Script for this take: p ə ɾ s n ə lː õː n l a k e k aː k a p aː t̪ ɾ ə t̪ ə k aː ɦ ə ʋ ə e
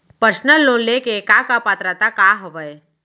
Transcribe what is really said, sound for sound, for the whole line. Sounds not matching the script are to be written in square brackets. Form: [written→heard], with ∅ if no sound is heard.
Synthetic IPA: p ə ɾ s n ə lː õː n l [a→e] k e k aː k a p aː t̪ ɾ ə t̪ [ə→a] k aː ɦ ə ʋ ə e